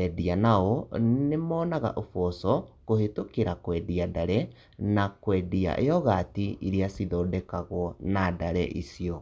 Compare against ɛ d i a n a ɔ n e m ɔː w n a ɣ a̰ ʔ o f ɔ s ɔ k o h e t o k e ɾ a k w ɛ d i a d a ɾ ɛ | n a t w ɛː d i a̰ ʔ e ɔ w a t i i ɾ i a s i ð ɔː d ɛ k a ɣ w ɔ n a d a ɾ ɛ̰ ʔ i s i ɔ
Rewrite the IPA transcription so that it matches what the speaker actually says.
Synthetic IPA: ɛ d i a n a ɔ n e m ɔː n a ɣ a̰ ʔ o f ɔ s ɔ k o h e t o k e ɾ a k w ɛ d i a d a ɾ ɛ | n a k w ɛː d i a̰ ʔ e ɔ ɣ a t i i ɾ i a s i ð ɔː d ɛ k a ɣ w ɔ n a d a ɾ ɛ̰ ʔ i s i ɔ